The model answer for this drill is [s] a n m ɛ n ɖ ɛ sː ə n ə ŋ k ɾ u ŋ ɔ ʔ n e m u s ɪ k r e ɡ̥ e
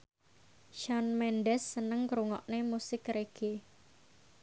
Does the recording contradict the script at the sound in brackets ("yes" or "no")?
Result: yes